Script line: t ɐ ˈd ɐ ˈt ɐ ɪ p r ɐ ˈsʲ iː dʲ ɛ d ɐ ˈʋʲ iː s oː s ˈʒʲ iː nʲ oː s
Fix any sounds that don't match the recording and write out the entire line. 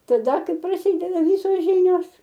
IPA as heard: t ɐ ˈd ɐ ˈk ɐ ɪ p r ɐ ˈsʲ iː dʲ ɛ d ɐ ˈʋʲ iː s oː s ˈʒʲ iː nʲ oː s